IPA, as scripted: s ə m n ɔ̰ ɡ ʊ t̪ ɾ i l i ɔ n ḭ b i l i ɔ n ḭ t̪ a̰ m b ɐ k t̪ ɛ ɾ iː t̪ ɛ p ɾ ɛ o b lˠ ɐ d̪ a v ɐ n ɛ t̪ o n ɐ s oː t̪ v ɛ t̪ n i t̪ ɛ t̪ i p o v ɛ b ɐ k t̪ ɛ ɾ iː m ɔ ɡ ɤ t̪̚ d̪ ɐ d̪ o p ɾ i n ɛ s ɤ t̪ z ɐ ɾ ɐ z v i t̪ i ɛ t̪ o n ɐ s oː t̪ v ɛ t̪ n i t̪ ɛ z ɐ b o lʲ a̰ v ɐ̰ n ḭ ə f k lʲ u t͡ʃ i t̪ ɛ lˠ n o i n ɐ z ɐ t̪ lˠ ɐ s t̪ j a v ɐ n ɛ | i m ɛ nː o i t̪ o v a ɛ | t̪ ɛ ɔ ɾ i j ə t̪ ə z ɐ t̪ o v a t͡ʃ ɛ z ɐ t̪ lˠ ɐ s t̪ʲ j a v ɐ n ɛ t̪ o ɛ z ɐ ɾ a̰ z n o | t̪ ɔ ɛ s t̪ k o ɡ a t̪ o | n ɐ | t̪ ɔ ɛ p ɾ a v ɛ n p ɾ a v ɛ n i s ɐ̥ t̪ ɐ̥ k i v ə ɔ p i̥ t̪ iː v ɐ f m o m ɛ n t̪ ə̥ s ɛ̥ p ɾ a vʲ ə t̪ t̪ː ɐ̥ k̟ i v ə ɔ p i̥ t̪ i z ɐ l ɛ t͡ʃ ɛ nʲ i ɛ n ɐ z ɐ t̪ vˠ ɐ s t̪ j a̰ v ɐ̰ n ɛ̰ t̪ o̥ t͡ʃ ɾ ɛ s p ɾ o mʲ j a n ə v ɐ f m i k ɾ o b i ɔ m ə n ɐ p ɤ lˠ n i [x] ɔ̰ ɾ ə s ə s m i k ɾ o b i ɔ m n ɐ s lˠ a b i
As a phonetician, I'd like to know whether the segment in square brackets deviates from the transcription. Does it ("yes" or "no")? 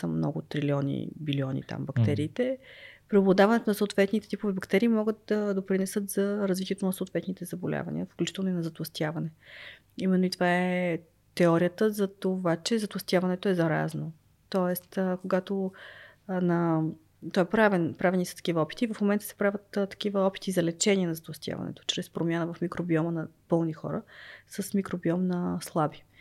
no